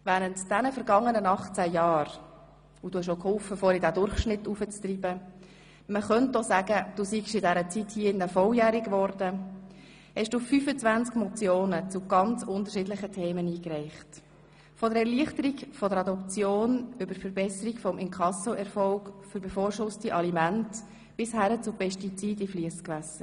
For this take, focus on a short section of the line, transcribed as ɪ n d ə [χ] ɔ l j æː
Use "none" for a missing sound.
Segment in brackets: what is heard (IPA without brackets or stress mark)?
f